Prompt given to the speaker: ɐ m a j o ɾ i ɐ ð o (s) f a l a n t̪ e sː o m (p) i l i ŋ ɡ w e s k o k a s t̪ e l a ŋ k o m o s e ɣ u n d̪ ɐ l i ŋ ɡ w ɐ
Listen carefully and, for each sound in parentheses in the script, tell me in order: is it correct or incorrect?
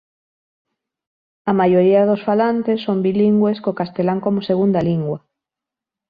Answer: correct, incorrect

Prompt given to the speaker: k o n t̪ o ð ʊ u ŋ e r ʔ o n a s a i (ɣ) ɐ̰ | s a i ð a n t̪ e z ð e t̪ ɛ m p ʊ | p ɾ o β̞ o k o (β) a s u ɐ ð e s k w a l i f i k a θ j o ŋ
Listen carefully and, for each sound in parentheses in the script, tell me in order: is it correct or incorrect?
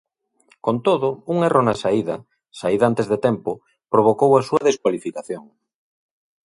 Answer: incorrect, incorrect

